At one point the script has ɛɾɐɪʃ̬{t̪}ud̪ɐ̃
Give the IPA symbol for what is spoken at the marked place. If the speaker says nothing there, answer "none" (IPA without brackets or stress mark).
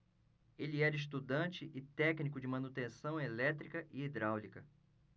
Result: t̪